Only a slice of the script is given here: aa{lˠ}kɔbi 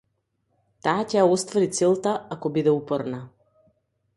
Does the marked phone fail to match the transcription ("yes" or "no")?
yes